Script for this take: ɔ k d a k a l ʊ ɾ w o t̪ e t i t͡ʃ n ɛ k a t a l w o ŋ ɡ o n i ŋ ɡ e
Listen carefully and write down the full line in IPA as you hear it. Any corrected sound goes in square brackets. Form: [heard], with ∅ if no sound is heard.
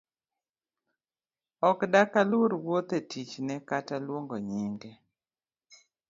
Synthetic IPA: ɔ k d a k a l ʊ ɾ w o t̪ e t i t͡ʃ n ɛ k a t a l w o ŋ ɡ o [ɲ] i ŋ ɡ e